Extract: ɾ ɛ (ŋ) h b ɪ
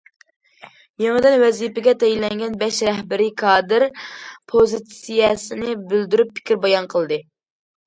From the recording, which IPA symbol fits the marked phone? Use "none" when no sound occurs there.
none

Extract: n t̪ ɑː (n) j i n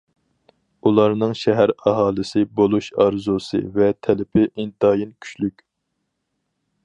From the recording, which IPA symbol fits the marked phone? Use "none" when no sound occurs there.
none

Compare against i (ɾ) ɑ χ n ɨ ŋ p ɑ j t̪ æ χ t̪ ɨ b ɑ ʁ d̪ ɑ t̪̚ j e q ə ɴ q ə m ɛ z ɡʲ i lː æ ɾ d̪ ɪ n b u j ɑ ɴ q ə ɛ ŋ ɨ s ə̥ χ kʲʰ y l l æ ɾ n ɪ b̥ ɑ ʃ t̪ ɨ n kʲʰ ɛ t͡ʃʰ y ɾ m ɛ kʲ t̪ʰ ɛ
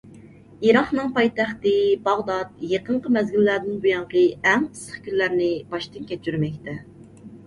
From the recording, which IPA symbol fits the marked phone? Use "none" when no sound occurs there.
ɾ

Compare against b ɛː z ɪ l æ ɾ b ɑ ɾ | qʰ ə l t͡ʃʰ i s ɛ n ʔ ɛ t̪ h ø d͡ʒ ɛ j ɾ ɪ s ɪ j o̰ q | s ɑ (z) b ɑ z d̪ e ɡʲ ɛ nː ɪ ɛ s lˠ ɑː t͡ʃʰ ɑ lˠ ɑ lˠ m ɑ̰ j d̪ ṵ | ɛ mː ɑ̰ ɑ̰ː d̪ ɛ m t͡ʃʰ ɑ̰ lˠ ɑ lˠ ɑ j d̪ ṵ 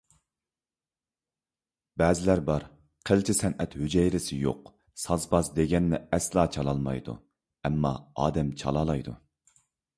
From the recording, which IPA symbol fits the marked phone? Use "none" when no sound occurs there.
z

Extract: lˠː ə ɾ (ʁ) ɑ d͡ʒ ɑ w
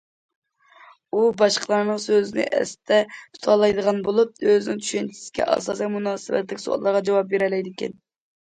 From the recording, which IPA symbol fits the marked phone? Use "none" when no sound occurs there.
ʁ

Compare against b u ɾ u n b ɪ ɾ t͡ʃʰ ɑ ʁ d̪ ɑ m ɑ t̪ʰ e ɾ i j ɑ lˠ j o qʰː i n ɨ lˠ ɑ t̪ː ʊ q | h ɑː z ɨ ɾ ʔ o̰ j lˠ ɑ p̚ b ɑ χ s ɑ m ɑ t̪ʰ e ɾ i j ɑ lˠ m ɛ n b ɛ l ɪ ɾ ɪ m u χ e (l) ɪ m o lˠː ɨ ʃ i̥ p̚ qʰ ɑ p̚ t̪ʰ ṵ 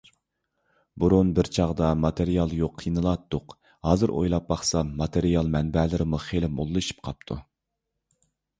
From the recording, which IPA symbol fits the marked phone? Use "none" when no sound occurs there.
l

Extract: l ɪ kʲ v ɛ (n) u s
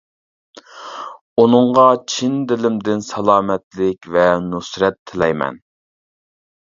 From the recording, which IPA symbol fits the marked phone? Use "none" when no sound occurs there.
n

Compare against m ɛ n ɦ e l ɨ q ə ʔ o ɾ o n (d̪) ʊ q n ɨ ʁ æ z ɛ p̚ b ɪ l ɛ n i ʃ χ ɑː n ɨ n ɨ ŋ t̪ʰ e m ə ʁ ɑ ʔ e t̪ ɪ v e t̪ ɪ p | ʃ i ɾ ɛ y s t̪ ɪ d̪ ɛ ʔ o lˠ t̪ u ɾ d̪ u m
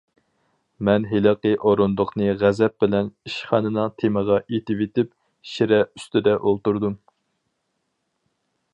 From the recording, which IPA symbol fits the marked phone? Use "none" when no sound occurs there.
d̪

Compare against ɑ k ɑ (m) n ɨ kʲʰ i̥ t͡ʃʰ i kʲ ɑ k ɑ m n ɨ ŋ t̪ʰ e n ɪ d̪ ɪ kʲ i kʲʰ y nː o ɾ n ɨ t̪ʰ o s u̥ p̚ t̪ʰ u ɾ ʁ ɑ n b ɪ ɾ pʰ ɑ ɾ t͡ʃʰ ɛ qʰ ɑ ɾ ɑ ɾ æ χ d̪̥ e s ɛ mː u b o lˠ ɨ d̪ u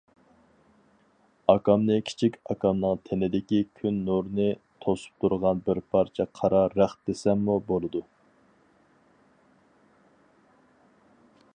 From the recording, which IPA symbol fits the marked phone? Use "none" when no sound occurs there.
m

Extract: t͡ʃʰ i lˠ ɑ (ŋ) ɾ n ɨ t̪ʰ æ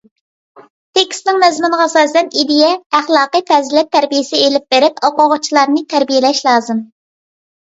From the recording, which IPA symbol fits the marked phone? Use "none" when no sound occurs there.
none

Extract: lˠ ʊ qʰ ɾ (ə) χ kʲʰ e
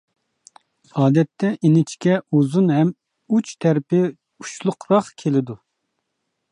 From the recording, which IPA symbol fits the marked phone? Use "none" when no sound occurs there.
ɑ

